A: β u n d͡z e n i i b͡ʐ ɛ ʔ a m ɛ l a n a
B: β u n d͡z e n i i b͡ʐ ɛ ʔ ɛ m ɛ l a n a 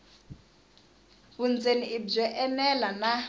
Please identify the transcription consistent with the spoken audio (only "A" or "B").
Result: B